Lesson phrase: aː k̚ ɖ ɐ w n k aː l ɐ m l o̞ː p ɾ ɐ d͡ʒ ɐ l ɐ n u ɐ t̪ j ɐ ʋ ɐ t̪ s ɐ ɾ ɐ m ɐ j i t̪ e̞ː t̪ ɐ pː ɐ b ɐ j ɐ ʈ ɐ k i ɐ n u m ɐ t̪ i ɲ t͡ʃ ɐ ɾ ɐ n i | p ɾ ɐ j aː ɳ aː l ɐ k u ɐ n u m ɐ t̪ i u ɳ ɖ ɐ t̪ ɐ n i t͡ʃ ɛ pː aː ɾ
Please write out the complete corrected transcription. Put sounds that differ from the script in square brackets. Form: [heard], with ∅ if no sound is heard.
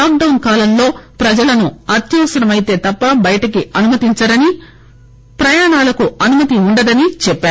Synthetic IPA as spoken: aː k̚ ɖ ɐ w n k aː l ɐ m l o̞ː p ɾ ɐ d͡ʒ ɐ l ɐ n u ɐ t̪ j ɐ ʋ ɐ [∅] s ɐ ɾ ɐ m ɐ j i t̪ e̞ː t̪ ɐ pː ɐ b ɐ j ɐ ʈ ɐ k i ɐ n u m ɐ t̪ i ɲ t͡ʃ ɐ ɾ ɐ n i | p ɾ ɐ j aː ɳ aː l ɐ k u ɐ n u m ɐ t̪ i u ɳ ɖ ɐ [d̪] ɐ n i t͡ʃ ɛ pː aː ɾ